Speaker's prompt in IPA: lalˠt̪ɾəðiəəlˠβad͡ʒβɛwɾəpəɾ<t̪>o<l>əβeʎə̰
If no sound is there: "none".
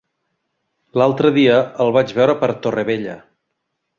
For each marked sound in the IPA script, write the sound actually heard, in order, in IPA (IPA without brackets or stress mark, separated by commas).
t̪, r